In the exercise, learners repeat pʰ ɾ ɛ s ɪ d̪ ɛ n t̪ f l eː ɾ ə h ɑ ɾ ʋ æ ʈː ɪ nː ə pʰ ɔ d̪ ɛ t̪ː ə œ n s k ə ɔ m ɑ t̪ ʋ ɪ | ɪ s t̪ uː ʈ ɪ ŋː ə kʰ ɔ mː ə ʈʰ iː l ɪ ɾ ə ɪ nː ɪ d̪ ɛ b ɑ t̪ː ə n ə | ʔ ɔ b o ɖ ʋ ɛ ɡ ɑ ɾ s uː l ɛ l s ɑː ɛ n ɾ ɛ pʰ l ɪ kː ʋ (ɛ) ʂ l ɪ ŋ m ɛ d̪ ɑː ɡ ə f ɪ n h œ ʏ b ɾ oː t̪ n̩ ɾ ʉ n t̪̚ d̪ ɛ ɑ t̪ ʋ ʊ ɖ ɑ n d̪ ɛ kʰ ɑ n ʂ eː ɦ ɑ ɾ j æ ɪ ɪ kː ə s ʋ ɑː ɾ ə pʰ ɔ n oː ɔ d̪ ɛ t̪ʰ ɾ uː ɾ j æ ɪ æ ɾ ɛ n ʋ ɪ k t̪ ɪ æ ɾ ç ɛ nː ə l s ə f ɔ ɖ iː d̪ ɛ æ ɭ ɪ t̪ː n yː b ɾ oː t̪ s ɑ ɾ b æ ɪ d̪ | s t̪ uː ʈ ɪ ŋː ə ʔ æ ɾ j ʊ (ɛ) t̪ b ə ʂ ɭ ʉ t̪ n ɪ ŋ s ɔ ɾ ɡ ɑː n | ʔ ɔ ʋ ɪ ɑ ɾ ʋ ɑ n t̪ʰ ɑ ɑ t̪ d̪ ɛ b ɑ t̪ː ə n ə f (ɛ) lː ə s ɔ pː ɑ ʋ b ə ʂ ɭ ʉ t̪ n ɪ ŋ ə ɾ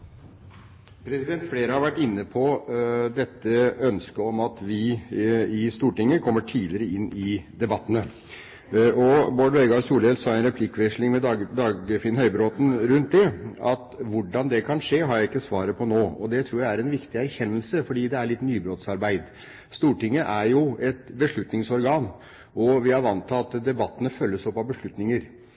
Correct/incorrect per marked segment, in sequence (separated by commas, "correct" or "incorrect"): correct, correct, incorrect